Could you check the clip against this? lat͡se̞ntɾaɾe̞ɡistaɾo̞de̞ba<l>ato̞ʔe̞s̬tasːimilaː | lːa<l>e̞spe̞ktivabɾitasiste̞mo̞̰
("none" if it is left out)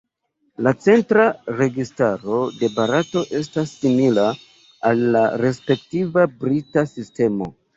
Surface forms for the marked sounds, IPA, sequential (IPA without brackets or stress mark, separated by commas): ɾ, ɾ